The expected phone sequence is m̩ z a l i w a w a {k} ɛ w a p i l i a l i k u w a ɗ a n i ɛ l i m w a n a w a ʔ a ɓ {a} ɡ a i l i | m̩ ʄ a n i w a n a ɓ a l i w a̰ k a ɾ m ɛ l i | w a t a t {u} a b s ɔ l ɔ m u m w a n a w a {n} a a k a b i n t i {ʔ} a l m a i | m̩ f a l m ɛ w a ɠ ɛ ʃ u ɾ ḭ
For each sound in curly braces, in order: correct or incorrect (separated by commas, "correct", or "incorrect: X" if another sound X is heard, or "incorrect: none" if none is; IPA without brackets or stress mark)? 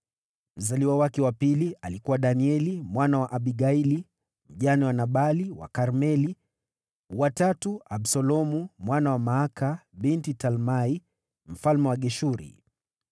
correct, incorrect: i, correct, incorrect: m, incorrect: t